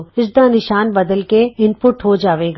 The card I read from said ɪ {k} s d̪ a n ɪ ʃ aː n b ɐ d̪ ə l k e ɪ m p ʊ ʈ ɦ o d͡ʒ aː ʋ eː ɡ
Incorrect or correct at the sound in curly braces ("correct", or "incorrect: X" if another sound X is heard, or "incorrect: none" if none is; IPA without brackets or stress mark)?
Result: incorrect: none